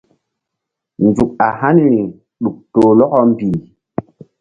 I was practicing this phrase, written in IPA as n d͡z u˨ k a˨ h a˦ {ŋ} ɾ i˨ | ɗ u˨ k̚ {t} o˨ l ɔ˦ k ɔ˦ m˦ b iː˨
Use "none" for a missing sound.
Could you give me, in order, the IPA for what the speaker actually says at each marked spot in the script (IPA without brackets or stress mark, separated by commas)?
n, t